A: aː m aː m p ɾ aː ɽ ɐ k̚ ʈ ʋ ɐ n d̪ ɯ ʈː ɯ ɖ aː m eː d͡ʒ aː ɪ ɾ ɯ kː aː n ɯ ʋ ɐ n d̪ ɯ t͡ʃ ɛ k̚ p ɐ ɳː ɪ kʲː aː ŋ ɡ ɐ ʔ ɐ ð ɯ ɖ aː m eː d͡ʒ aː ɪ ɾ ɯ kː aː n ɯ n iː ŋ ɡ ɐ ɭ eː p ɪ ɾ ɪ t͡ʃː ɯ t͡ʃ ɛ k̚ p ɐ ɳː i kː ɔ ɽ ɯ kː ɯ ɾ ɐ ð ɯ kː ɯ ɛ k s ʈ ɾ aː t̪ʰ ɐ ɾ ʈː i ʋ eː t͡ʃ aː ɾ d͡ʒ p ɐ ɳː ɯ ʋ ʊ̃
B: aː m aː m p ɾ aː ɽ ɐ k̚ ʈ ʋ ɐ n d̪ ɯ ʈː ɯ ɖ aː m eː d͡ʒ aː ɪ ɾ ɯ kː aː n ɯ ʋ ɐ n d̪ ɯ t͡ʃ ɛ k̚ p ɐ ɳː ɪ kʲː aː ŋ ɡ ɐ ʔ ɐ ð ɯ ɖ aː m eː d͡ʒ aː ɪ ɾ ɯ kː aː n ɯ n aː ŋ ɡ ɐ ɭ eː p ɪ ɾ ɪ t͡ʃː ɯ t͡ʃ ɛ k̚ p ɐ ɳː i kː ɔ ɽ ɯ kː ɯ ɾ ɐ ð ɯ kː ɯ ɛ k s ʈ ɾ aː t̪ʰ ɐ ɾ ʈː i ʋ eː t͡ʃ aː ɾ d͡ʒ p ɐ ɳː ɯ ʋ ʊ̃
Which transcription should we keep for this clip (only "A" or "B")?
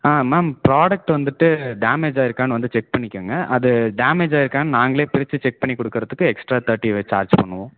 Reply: B